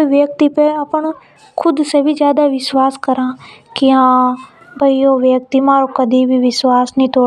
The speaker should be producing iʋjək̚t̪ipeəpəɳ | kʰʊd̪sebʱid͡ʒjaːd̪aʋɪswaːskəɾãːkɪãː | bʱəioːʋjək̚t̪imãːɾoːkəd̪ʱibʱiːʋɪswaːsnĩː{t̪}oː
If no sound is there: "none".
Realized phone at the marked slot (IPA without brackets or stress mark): t̪